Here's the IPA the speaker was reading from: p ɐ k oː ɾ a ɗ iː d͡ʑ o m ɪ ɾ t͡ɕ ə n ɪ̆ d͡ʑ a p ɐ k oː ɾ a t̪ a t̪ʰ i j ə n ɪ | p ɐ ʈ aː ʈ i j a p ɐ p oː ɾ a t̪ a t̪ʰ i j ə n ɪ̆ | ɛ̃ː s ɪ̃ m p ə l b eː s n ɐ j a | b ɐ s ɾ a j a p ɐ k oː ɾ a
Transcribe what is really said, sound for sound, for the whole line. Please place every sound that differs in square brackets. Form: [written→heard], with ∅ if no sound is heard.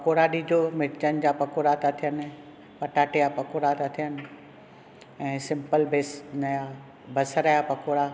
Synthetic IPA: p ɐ k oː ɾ a ɗ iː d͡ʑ o m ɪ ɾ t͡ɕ ə n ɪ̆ d͡ʑ a p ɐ k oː ɾ a t̪ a t̪ʰ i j ə n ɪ | p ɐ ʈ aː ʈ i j a p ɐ [p→k] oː ɾ a t̪ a t̪ʰ i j ə n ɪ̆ | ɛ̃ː s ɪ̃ m p ə l b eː s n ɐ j a | b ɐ s ɾ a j a p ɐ k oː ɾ a